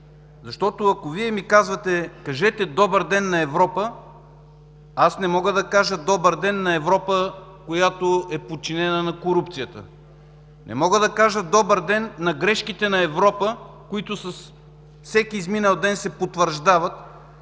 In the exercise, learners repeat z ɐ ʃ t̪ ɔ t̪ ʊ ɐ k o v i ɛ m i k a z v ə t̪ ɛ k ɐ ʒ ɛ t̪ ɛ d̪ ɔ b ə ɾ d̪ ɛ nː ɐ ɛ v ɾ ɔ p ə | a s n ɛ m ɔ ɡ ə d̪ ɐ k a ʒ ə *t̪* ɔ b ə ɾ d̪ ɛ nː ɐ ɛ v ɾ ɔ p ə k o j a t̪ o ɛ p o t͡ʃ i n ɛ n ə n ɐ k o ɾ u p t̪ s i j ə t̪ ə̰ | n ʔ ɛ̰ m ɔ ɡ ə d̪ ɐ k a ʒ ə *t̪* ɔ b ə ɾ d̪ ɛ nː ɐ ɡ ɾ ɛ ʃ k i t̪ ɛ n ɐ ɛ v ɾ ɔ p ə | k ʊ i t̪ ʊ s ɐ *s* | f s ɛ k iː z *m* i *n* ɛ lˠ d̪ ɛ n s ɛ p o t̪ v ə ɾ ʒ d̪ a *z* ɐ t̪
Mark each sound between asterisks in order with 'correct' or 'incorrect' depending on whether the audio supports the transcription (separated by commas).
incorrect, incorrect, correct, correct, correct, incorrect